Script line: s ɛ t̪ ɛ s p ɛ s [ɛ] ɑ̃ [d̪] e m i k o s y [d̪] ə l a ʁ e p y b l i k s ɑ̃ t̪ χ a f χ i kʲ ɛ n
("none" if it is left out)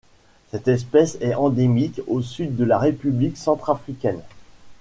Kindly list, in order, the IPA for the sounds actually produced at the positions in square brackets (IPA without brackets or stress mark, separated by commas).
ɛ, d̪, d̪ː